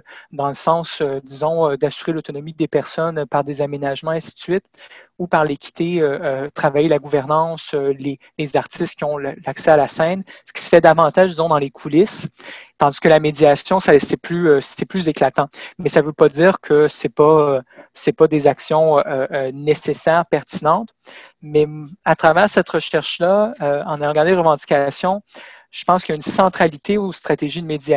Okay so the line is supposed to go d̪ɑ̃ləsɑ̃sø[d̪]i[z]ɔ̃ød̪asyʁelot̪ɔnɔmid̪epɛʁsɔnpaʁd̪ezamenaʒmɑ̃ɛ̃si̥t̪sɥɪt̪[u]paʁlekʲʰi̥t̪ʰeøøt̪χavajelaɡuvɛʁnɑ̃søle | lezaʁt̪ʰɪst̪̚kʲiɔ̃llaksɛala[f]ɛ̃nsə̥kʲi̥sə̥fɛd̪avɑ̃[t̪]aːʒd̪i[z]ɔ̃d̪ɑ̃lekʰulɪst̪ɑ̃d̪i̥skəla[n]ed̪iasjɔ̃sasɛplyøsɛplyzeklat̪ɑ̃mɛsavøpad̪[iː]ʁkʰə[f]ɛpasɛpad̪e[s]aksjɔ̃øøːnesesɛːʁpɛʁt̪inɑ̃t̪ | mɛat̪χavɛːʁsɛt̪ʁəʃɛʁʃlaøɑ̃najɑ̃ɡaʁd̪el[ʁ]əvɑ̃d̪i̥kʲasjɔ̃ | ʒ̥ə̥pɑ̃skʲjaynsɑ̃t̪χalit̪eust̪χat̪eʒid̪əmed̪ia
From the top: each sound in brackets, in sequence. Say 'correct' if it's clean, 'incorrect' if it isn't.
correct, correct, correct, incorrect: s, correct, correct, incorrect: m, correct, incorrect: s, incorrect: z, correct

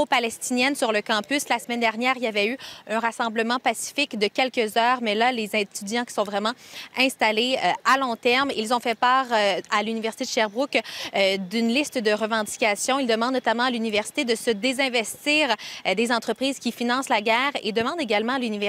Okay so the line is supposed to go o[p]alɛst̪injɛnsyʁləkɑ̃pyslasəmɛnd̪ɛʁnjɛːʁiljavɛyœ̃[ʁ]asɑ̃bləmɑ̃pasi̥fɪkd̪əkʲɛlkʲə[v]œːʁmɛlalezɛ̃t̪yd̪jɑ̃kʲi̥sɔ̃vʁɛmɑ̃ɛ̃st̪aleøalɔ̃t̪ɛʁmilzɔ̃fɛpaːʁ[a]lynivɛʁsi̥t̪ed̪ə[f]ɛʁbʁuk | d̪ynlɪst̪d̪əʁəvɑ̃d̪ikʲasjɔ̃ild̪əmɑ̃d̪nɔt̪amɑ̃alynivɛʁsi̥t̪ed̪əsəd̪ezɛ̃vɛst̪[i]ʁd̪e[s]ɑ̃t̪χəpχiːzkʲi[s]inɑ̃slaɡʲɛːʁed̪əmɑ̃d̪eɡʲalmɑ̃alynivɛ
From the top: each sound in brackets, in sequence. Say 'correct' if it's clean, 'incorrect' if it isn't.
correct, correct, incorrect: z, correct, incorrect: ʃ, incorrect: iː, incorrect: z, incorrect: f

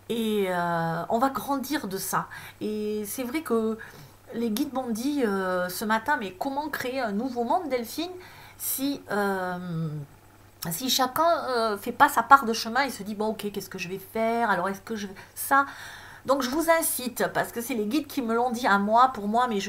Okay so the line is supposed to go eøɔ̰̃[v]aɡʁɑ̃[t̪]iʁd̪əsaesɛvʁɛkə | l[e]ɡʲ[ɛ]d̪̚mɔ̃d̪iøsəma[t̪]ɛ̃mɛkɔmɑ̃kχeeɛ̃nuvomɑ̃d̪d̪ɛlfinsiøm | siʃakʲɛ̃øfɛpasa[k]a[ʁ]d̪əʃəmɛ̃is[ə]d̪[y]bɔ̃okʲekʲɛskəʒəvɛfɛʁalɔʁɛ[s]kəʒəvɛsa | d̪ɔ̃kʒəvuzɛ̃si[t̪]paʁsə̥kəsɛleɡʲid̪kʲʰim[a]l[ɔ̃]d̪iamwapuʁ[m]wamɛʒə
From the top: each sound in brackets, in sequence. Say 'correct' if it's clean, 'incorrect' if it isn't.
correct, incorrect: d̪, correct, incorrect: i, correct, incorrect: p, correct, correct, incorrect: i, correct, correct, incorrect: ə, correct, correct

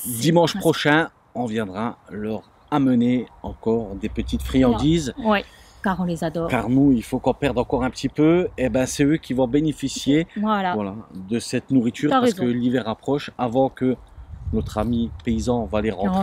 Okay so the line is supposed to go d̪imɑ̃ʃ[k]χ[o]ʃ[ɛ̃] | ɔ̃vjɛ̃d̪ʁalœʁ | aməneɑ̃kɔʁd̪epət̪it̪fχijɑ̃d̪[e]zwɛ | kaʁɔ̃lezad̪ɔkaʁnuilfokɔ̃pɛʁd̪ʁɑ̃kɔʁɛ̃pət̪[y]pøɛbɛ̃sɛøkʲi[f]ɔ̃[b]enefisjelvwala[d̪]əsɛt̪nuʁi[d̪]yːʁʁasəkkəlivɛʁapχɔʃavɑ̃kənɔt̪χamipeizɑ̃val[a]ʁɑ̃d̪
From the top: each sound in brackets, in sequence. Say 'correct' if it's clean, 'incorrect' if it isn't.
incorrect: p, incorrect: ɔ, correct, incorrect: i, incorrect: i, incorrect: v, correct, correct, incorrect: t̪, incorrect: e

